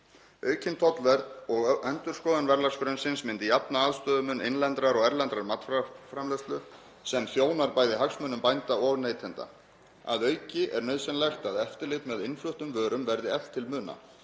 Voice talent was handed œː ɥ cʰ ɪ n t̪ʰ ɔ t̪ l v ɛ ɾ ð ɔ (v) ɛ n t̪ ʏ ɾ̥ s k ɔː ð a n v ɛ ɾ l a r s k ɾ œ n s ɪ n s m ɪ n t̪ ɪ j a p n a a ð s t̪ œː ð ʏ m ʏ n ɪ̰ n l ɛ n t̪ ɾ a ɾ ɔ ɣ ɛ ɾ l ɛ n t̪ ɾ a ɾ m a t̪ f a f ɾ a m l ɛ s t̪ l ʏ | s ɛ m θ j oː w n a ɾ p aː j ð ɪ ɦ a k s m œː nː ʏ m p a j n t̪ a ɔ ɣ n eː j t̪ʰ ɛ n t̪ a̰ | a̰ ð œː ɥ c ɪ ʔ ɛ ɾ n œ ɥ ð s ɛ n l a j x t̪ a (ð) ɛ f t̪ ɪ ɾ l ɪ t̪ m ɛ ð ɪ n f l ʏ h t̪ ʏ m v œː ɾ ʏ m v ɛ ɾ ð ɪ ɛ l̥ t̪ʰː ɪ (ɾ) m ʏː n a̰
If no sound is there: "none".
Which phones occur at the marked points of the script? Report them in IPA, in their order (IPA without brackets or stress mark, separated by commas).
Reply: ɣ, ð, l